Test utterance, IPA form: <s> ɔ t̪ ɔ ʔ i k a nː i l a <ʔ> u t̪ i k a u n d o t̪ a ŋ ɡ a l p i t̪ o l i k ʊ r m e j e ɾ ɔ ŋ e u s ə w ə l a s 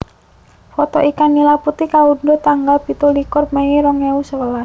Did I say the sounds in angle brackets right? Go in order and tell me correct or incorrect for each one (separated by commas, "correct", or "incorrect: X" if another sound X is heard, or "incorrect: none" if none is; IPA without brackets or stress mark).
incorrect: f, incorrect: p